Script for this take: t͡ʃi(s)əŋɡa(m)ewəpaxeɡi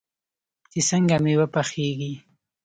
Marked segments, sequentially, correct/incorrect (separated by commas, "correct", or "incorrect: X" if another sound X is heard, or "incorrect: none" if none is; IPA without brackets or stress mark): correct, correct